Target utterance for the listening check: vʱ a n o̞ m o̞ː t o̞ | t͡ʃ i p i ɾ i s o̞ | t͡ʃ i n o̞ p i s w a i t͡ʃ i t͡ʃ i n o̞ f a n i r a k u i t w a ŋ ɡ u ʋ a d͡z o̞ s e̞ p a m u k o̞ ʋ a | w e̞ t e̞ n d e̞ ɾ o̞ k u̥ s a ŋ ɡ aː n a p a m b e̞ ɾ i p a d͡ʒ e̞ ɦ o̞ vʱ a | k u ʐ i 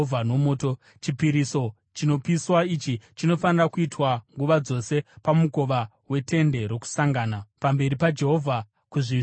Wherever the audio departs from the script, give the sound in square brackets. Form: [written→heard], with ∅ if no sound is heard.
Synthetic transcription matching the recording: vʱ a n o̞ m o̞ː t o̞ | t͡ʃ i p i ɾ i s o̞ | t͡ʃ i n o̞ p i s w a i t͡ʃ i t͡ʃ i n o̞ f a n i r a k u i t w a ŋ ɡ u ʋ a d͡z o̞ s e̞ p a m u k o̞ ʋ a | w e̞ t e̞ n d e̞ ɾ o̞ k u̥ s a ŋ ɡ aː n a p a m b e̞ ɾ i p a d͡ʒ e̞ ɦ o̞ vʱ a | k u ʐ i